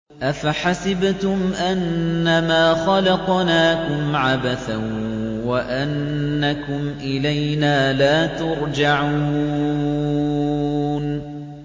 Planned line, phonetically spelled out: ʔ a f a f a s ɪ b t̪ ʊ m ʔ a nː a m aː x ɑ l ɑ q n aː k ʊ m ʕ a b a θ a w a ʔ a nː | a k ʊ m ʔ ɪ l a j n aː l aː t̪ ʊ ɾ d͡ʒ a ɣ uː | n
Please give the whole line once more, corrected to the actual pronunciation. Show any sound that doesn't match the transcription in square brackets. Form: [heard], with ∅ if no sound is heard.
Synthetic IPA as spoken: ʔ a f a [ħ] a s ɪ b t̪ ʊ m ʔ a nː a m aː x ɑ l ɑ q n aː k ʊ m ʕ a b a θ a w a ʔ a nː | a k ʊ m ʔ ɪ l a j n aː l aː t̪ ʊ ɾ d͡ʒ a [ʕ] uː | n